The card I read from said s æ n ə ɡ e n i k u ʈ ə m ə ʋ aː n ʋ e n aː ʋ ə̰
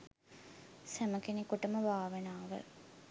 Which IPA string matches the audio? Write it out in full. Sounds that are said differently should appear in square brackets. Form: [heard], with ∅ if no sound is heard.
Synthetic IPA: s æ [m] ə [k] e n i k u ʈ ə m ə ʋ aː [∅] ʋ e n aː ʋ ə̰

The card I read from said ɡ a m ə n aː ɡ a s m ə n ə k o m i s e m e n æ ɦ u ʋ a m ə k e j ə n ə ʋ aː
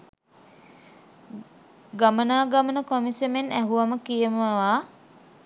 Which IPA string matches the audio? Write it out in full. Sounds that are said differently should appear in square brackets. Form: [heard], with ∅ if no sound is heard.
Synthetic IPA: ɡ a m ə n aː ɡ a [∅] m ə n ə k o m i s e m e n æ ɦ u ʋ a m ə k [i] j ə [m] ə ʋ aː

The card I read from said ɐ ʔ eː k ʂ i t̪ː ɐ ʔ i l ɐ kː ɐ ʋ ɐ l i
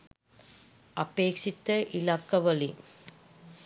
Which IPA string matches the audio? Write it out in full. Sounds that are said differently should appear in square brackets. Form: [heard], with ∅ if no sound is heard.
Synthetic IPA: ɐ [p] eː k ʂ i t̪ː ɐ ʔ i l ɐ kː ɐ ʋ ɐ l i

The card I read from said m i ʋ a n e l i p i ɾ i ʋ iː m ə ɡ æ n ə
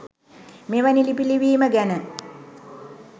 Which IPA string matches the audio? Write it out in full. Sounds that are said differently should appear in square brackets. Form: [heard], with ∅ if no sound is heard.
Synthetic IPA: m [e] ʋ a n [i] l i p i [l] i ʋ iː m ə ɡ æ n ə

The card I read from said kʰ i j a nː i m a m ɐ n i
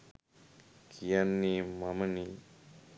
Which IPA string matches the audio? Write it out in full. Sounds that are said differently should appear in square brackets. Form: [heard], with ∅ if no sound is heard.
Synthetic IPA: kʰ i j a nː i m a m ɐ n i

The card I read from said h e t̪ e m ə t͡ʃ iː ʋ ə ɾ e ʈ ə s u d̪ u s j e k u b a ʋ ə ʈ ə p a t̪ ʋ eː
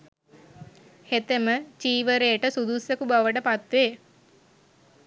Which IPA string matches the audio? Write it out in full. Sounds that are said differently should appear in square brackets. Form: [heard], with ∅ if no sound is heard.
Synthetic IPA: h e t̪ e m ə t͡ʃ iː ʋ ə ɾ e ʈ ə s u d̪ u s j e k u b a ʋ ə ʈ ə p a t̪ ʋ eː

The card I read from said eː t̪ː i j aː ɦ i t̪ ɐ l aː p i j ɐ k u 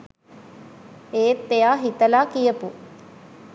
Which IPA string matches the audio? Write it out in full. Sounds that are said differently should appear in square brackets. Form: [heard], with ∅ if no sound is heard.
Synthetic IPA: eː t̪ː [e] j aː ɦ i t̪ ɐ l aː [k] i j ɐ [p] u

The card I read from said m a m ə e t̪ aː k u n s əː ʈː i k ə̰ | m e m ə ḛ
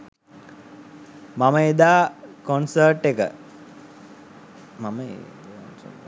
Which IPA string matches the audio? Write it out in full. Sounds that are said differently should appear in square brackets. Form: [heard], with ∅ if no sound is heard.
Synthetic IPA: m a m ə e [d̪] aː k [o] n s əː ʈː [e] k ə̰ | m [a] m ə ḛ

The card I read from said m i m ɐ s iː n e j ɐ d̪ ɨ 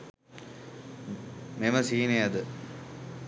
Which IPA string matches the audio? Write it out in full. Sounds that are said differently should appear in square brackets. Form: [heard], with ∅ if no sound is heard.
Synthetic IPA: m [e] m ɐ s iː n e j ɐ d̪ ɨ

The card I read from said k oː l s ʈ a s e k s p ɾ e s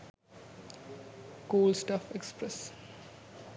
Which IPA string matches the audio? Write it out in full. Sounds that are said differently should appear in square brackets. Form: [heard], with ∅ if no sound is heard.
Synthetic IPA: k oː l s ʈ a [f] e k s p ɾ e s

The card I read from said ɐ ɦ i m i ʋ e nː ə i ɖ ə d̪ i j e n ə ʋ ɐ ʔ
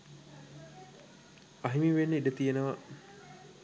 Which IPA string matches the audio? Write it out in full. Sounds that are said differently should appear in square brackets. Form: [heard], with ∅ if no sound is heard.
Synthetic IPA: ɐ ɦ i m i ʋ e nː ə i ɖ ə [t̪] i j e n ə ʋ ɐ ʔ

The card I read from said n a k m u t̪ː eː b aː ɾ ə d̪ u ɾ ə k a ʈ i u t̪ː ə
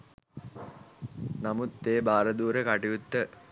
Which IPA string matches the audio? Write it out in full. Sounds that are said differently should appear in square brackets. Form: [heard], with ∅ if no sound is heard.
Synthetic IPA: n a [∅] m u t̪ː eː b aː ɾ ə d̪ [uː] ɾ ə k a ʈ i u t̪ː ə

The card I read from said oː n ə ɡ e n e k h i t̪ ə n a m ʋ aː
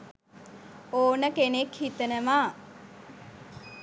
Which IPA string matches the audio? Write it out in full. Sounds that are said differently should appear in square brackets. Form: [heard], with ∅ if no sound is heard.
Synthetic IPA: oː n ə [k] e n e k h i t̪ ə n [ə] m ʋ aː

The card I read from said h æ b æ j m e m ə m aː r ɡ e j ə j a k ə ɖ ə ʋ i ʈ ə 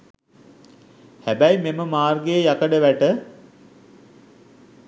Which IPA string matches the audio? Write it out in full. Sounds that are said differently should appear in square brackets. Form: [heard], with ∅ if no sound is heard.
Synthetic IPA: h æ b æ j m e m ə m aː r ɡ e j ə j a k ə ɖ ə ʋ [æ] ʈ ə

